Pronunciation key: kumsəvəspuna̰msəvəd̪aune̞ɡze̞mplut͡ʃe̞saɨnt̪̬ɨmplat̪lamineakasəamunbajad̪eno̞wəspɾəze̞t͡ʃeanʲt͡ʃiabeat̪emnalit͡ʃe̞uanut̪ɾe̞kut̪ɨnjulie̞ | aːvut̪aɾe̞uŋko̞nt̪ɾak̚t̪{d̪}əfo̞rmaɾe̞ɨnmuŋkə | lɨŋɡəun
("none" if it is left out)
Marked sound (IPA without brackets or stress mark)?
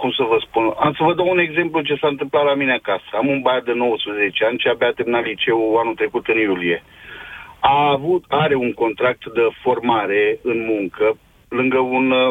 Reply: d̪